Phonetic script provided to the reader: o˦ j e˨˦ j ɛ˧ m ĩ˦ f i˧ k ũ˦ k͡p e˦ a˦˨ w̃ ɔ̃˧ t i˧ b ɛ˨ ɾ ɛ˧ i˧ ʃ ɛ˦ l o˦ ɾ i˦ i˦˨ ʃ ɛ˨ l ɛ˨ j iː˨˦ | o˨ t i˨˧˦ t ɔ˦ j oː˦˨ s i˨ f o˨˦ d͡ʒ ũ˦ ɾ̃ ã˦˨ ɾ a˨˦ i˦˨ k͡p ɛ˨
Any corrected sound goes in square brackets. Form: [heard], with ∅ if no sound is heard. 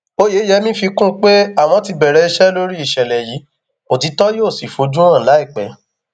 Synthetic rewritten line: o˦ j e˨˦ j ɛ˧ m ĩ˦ f i˧ k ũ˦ k͡p e˦ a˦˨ w̃ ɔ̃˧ t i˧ b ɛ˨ ɾ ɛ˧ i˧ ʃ ɛ˦ l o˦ ɾ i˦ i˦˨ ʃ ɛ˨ l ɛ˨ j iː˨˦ | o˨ t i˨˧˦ t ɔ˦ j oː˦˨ s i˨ f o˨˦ d͡ʒ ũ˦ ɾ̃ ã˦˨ [l] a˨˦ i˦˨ k͡p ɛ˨